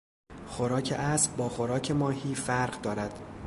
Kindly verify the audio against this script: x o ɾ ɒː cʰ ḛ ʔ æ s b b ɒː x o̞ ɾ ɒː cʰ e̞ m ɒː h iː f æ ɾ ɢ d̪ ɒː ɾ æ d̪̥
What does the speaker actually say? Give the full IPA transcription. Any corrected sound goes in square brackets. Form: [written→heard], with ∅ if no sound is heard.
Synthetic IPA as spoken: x o ɾ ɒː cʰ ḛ ʔ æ s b b ɒː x o̞ ɾ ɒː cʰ e̞ m ɒː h iː f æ ɾ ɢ d̪ ɒː ɾ æ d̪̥

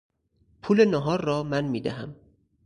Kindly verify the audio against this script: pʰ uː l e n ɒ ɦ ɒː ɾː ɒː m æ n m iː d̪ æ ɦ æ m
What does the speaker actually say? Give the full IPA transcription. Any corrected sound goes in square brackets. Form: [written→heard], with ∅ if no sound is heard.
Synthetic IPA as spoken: pʰ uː l e n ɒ ɦ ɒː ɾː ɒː m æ n m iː d̪ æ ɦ æ m

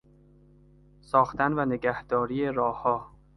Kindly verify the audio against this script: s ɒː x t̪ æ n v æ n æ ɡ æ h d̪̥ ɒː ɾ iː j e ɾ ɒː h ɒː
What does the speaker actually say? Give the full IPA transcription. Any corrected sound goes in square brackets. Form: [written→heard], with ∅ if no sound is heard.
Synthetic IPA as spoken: s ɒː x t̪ æ n v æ n [æ→e] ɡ æ h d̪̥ ɒː ɾ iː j e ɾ ɒː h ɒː

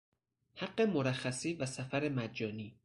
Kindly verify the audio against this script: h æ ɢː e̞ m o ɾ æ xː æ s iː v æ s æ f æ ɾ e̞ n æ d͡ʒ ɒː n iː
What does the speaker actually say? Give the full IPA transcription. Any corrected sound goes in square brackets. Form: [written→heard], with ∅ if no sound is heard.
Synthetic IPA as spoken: h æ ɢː e̞ m o ɾ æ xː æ s iː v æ s æ f æ ɾ e̞ [n→m] æ d͡ʒ ɒː n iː

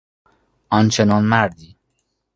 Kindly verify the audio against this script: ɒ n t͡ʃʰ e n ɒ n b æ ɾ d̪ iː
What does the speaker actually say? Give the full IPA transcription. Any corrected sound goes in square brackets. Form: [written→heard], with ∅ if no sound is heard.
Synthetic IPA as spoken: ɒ n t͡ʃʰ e n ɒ n [b→m] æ ɾ d̪ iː

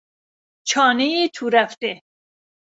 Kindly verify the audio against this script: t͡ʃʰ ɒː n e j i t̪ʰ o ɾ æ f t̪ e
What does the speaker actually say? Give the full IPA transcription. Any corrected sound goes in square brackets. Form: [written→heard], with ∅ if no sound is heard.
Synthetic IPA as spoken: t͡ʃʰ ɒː n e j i t̪ʰ [o→u] ɾ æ f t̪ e

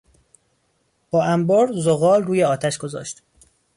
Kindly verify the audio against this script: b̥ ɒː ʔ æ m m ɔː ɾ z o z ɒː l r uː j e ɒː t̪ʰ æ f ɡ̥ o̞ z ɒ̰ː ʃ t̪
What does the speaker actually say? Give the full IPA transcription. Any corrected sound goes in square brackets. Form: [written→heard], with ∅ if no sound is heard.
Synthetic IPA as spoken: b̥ ɒː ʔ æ m [m→b] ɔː ɾ z o [z→ɣ] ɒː l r uː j e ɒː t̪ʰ æ [f→ʃ] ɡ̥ o̞ z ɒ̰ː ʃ t̪

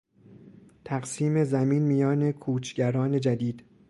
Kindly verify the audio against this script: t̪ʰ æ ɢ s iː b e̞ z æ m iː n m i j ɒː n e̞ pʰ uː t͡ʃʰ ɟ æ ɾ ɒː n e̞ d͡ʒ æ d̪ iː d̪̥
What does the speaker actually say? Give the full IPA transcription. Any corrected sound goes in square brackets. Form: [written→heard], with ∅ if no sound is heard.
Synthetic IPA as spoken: t̪ʰ æ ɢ s iː [b→m] e̞ z æ m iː n m i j ɒː n e̞ [pʰ→kʰ] uː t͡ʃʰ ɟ æ ɾ ɒː n e̞ d͡ʒ æ d̪ iː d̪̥

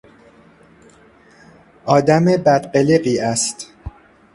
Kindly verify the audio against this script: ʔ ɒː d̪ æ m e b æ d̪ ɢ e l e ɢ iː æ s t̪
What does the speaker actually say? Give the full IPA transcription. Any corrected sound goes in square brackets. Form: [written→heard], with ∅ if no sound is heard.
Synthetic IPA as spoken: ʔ ɒː d̪ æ m e b æ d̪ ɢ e l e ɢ iː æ s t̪

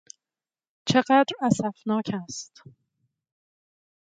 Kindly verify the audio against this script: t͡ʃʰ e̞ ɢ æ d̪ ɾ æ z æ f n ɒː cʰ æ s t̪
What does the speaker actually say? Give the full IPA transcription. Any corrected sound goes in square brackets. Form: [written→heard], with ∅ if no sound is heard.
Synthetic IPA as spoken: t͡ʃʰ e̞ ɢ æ d̪ ɾ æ [z→s] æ f n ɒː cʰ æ s t̪

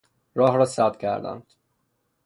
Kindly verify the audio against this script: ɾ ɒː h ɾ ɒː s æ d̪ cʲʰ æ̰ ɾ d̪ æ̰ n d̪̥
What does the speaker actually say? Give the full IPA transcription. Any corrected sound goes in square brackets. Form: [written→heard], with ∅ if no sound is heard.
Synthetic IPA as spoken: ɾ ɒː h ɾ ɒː s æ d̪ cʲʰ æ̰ ɾ d̪ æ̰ n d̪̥

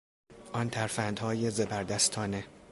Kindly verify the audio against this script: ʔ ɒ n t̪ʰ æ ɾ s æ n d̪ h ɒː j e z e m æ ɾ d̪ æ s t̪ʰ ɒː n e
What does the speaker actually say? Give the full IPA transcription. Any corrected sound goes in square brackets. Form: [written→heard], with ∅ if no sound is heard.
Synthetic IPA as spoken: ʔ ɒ n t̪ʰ æ ɾ [s→f] æ n d̪ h ɒː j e z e [m→b] æ ɾ d̪ æ s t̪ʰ ɒː n e

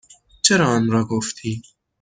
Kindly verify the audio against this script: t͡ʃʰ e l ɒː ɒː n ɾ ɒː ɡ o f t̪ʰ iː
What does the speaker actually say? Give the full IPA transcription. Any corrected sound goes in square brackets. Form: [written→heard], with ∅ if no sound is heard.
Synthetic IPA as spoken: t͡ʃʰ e [l→ɾ] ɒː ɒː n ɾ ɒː ɡ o f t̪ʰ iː

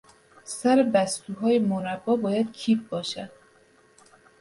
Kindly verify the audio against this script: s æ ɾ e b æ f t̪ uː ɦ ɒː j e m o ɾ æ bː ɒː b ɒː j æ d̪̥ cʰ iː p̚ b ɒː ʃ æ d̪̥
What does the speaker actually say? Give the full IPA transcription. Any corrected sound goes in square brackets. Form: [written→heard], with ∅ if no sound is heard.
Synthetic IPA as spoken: s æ ɾ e b æ [f→s] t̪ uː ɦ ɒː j e m o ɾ æ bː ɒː b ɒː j æ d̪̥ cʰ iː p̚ b ɒː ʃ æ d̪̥

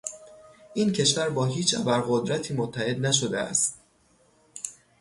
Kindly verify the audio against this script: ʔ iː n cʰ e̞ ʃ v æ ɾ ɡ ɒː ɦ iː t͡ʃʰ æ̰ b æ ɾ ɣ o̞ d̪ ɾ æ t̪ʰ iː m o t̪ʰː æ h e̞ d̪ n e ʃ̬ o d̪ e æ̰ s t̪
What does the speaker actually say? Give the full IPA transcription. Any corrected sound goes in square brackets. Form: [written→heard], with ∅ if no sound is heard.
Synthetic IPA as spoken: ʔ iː n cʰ e̞ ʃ v æ ɾ [ɡ→b] ɒː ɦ iː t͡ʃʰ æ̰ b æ ɾ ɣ o̞ d̪ ɾ æ t̪ʰ iː m o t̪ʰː æ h e̞ d̪ n [e→æ] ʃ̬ o d̪ e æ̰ s t̪

